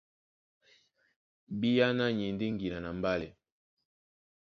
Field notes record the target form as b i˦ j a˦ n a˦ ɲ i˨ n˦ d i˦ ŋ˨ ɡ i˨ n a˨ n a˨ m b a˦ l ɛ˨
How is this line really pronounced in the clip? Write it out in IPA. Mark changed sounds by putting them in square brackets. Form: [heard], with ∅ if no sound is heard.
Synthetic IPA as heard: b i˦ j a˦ n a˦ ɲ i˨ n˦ d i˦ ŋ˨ ɡ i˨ n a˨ n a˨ m b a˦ l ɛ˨